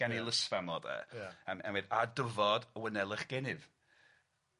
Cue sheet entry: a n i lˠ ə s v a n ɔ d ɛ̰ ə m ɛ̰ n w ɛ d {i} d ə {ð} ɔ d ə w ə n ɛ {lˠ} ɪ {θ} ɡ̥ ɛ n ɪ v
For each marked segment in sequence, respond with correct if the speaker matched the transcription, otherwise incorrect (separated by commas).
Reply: incorrect, incorrect, correct, incorrect